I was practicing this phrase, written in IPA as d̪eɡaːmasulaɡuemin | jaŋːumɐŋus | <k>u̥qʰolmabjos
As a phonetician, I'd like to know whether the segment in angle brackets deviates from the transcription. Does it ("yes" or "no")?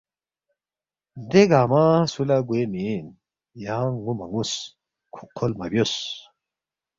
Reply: yes